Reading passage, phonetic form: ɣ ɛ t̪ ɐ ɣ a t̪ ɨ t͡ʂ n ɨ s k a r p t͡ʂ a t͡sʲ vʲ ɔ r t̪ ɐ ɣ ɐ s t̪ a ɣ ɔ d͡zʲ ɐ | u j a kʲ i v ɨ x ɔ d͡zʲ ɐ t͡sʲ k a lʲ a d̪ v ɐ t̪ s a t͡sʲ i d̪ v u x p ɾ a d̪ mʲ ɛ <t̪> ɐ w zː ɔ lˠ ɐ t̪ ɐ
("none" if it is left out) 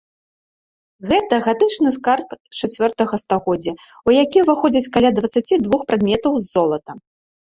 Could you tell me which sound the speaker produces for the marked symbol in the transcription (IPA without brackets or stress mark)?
t̪